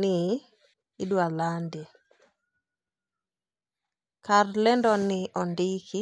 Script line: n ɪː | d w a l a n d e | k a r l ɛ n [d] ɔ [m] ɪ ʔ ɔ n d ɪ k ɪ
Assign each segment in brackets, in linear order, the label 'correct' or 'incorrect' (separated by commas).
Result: correct, incorrect